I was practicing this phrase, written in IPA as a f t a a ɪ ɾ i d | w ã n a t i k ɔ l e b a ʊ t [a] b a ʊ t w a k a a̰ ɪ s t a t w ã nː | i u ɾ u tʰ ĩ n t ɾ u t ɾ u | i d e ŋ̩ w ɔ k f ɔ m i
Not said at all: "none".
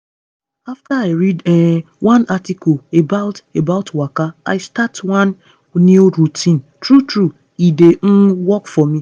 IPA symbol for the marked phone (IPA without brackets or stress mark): e